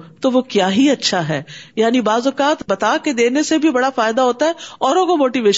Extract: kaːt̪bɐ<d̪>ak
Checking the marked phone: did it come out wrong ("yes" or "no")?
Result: yes